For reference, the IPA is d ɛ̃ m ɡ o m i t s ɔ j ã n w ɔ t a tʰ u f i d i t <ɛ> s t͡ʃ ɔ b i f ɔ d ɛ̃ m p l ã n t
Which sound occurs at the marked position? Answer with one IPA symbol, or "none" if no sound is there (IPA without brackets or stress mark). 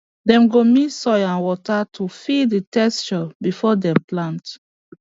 ɛ